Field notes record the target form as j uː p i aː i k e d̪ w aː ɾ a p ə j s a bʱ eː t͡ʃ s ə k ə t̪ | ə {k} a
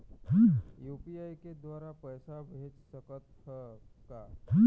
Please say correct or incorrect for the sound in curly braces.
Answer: correct